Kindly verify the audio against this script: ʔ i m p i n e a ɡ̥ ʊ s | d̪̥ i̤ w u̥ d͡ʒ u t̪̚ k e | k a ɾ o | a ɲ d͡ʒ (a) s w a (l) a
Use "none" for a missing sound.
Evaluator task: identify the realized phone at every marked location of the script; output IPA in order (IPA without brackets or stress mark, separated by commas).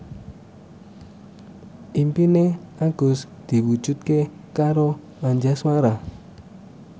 a, ɾ